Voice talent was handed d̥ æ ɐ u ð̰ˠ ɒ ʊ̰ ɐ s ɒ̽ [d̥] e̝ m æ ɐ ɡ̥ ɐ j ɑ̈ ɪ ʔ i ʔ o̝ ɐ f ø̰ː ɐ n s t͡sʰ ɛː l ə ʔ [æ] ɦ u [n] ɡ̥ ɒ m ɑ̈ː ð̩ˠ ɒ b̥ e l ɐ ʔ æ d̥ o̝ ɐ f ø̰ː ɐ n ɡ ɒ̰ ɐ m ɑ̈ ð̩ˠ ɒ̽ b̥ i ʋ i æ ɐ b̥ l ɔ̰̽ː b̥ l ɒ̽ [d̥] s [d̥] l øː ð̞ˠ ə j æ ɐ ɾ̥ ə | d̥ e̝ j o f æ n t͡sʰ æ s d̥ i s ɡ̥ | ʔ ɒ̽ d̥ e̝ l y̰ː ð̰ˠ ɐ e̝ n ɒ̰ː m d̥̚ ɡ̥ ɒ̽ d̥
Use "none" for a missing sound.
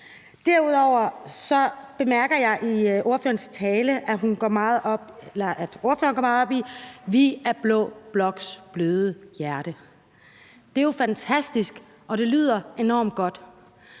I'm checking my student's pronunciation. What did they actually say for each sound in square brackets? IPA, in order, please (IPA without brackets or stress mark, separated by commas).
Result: b̥, æ, n, ɡ̥, b̥